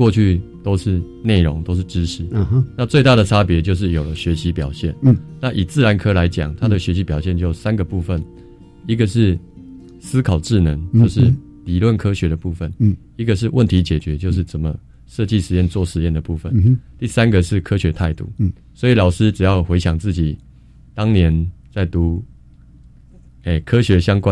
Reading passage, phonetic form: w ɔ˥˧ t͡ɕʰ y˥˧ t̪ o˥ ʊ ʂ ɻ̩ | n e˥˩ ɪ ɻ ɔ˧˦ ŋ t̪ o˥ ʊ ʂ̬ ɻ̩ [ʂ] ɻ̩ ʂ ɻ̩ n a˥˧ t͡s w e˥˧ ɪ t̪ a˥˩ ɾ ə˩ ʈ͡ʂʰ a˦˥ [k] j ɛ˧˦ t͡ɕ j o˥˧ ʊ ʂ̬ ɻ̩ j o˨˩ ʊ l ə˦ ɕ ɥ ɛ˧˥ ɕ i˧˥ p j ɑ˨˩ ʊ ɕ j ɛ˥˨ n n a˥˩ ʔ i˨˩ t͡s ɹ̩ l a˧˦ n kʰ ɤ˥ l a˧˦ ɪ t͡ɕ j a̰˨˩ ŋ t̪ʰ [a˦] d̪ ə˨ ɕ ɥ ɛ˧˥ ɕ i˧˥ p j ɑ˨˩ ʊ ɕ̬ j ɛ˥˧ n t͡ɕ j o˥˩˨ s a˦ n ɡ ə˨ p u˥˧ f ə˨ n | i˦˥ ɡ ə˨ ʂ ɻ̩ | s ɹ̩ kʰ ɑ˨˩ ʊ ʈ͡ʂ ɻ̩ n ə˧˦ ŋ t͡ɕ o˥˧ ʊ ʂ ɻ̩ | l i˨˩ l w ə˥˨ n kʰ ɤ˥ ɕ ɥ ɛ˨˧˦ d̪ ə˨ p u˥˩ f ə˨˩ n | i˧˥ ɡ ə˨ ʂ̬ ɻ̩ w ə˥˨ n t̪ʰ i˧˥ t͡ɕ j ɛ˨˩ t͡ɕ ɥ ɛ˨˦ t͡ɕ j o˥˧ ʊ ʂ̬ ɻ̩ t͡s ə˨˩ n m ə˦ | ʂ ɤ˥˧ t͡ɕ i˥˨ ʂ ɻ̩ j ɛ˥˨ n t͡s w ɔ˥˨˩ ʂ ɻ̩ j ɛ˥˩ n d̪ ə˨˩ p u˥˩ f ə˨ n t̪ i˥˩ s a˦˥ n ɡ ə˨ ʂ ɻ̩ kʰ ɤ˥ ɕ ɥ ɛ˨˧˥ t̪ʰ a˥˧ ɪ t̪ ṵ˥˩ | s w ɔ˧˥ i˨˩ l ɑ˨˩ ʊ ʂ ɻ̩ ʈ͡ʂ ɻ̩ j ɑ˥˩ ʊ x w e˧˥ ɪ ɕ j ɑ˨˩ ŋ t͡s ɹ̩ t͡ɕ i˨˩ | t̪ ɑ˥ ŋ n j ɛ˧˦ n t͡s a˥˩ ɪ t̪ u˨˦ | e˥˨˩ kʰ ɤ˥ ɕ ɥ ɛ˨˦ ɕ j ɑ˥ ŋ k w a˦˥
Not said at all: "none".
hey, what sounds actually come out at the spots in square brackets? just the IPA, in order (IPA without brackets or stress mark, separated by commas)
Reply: ʈ͡ʂ, p, a˦